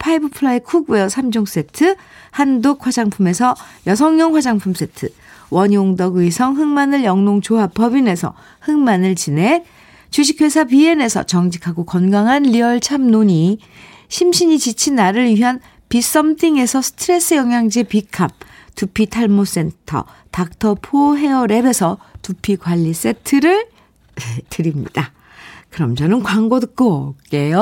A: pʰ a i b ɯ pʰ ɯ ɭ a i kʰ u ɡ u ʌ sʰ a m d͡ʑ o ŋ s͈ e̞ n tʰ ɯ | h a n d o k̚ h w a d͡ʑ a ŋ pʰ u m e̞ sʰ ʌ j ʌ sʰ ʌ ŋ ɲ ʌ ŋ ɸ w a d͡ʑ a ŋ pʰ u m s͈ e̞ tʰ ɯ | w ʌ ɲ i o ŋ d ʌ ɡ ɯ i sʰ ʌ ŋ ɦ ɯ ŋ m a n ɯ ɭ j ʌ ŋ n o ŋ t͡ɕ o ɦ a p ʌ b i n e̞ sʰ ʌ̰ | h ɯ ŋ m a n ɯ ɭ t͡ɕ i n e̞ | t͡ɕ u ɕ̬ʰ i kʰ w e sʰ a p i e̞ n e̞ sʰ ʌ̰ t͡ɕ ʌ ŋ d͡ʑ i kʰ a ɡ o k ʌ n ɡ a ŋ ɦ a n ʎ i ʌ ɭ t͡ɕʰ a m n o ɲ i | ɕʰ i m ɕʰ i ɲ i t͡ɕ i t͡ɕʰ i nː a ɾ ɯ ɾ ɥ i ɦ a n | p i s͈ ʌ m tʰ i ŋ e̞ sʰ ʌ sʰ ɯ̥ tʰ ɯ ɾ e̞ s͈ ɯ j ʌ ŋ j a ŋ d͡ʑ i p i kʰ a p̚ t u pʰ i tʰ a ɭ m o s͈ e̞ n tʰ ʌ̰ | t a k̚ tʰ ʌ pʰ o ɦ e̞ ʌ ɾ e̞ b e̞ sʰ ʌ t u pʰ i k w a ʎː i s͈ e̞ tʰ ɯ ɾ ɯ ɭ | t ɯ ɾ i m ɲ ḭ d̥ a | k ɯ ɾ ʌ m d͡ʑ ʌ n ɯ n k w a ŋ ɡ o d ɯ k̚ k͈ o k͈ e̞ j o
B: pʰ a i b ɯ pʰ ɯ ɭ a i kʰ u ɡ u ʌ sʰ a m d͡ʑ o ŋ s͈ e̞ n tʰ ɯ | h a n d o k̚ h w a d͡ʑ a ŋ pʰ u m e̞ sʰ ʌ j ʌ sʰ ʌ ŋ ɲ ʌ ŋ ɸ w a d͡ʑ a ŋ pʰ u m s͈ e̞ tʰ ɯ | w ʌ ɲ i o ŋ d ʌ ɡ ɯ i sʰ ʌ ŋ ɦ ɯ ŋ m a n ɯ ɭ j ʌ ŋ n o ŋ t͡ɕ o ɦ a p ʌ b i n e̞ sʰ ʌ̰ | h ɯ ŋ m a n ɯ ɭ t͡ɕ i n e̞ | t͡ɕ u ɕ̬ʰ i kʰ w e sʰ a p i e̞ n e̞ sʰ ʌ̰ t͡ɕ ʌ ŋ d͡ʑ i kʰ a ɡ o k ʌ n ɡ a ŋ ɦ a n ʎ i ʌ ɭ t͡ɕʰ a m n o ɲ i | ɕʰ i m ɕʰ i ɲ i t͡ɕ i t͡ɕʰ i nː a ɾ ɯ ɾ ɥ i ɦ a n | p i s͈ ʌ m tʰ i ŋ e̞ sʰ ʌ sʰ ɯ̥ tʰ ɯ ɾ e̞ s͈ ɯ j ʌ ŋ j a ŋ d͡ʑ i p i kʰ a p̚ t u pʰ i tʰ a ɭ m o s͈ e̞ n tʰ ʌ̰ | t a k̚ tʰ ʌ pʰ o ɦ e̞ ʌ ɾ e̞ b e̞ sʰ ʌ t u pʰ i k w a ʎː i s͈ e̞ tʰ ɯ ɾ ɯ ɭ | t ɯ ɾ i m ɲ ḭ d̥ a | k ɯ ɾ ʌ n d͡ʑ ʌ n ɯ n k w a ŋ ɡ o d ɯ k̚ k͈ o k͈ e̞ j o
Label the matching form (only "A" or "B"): A